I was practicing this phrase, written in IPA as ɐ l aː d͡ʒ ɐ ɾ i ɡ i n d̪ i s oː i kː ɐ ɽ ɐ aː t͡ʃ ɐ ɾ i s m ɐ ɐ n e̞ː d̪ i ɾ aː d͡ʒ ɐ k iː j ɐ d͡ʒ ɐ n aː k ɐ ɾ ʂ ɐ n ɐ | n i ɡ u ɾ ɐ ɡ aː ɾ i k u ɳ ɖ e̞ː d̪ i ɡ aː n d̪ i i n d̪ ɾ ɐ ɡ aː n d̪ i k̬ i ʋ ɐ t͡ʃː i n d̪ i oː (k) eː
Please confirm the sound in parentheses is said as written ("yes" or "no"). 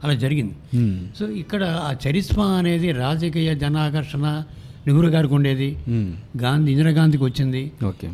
yes